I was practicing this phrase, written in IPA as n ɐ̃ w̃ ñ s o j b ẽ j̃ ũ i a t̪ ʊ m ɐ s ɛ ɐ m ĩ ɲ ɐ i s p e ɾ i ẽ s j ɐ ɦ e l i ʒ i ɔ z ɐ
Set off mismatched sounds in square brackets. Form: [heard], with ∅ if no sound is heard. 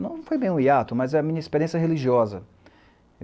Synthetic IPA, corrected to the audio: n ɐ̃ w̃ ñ [f] o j b ẽ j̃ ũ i a t̪ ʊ m ɐ [z] ɛ ɐ m ĩ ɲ ɐ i s p e ɾ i ẽ s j ɐ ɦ e l i ʒ i ɔ z ɐ